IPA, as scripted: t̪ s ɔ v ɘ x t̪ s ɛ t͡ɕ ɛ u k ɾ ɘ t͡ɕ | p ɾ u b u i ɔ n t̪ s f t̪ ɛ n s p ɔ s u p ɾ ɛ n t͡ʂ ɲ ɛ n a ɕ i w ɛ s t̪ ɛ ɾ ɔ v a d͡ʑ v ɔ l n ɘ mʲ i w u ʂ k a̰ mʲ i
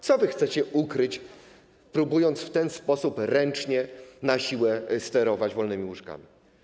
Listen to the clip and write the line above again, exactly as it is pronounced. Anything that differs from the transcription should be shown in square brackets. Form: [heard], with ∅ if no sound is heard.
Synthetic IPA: t̪ s ɔ v ɘ x t̪ s ɛ t͡ɕ ɛ u k ɾ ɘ t͡ɕ | p ɾ u b u [j] ɔ n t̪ s f t̪ ɛ n s p ɔ s u p ɾ ɛ n t͡ʂ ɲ ɛ n a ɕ i w ɛ s t̪ ɛ ɾ ɔ v a d͡ʑ v ɔ l n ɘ mʲ i w u ʂ k a̰ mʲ i

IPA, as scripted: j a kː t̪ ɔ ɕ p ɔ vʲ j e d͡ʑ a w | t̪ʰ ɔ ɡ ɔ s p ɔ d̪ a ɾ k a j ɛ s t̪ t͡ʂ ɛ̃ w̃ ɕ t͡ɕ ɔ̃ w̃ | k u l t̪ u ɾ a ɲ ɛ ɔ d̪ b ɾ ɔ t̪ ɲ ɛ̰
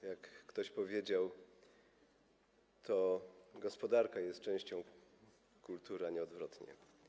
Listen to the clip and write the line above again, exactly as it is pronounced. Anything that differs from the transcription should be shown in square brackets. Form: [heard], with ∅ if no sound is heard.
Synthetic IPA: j a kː t̪ ɔ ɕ p ɔ vʲ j e d͡ʑ a w | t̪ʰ ɔ ɡ ɔ s p ɔ d̪ a ɾ k a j ɛ s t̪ t͡ʂ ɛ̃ w̃ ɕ t͡ɕ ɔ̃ w̃ | k u l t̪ u ɾ a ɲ ɛ ɔ d̪ [v] ɾ ɔ t̪ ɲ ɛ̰

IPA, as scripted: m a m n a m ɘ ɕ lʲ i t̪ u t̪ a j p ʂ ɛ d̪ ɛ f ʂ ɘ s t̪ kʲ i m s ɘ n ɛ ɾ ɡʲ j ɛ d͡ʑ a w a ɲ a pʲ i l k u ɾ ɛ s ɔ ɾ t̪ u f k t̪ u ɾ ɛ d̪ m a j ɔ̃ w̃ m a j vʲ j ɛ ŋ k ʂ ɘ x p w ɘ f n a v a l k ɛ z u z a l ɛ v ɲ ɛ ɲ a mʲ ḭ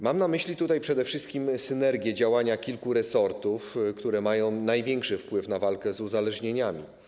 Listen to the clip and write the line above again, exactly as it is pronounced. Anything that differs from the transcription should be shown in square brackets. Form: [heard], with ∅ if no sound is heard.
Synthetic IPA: m a m n a m ɘ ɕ lʲ i t̪ u t̪ a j p ʂ ɛ d̪ ɛ f ʂ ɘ s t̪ kʲ i m s ɘ n ɛ ɾ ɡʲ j ɛ d͡ʑ a w a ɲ a [kʲ] i l k u ɾ ɛ s ɔ ɾ t̪ u f k t̪ u ɾ ɛ [∅] m a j ɔ̃ w̃ [n] a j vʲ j ɛ ŋ k ʂ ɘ [f] p w ɘ f n a v a l k ɛ z u z a l ɛ [ʐ] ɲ [e] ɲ a mʲ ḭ

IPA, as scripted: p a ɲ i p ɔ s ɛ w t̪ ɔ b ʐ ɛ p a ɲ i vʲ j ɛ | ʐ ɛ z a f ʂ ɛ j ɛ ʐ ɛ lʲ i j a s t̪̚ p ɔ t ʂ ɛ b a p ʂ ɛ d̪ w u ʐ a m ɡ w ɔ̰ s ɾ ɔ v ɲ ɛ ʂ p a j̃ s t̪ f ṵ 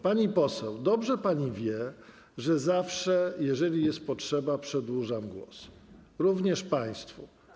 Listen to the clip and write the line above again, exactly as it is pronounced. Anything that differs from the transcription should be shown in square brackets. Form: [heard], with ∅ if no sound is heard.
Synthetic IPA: p a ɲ i p ɔ s ɛ w [d̪] ɔ b ʐ ɛ p a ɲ i vʲ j ɛ | ʐ ɛ z a f ʂ ɛ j ɛ ʐ ɛ lʲ i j [ɛ] s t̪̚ p ɔ t ʂ ɛ b a p ʂ ɛ d̪ w u ʐ a m ɡ w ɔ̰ s ɾ [u] v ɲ ɛ ʂ p a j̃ s t̪ f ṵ

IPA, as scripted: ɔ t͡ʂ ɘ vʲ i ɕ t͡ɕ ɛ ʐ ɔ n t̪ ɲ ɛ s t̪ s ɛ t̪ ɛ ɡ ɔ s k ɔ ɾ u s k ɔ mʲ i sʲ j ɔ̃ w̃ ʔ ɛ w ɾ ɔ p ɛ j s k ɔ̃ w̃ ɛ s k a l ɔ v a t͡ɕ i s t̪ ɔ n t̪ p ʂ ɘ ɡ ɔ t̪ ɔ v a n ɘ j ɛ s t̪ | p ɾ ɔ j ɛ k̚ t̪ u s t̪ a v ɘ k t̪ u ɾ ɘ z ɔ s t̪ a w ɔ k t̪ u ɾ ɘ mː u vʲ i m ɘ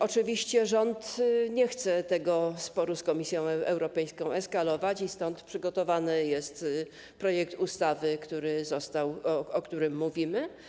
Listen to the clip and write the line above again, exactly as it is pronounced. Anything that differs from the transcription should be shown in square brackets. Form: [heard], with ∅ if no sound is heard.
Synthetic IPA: ɔ t͡ʂ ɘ vʲ i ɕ t͡ɕ ɛ ʐ ɔ n t̪ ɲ ɛ [x] t̪ s ɛ t̪ ɛ ɡ ɔ s [p] ɔ ɾ u s k ɔ mʲ i sʲ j ɔ̃ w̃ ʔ ɛ w ɾ ɔ p ɛ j s k ɔ̃ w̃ ɛ s k a l ɔ v a t͡ɕ i s t̪ ɔ n t̪ p ʂ ɘ ɡ ɔ t̪ ɔ v a n ɘ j ɛ s t̪ | p ɾ ɔ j ɛ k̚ t̪ u s t̪ a v ɘ k t̪ u ɾ ɘ z ɔ s t̪ a w ɔ k t̪ u ɾ ɘ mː u vʲ i m ɘ

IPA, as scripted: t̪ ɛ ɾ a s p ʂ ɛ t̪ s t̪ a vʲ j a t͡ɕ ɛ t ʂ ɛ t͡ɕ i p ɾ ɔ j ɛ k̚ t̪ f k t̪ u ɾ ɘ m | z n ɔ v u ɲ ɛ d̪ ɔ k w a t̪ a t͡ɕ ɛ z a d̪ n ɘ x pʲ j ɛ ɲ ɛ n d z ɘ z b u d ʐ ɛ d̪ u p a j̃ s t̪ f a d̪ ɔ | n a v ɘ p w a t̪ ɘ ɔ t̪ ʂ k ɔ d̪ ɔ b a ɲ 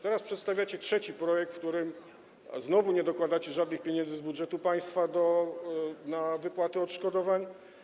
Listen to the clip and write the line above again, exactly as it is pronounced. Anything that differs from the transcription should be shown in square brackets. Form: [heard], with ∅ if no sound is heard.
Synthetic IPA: t̪ ɛ ɾ a s p ʂ ɛ t̪ s t̪ a vʲ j a t͡ɕ ɛ t ʂ ɛ t͡ɕ i p ɾ ɔ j ɛ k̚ t̪ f k t̪ u ɾ ɘ m | z n ɔ v u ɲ ɛ d̪ ɔ k w a [d̪] a t͡ɕ ɛ [ʐ] a d̪ n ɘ x pʲ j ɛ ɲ ɛ n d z ɘ z b u d ʐ ɛ [t̪] u p a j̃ s t̪ f a d̪ ɔ | n a v ɘ p w a t̪ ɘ ɔ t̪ ʂ k ɔ d̪ ɔ [v] a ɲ

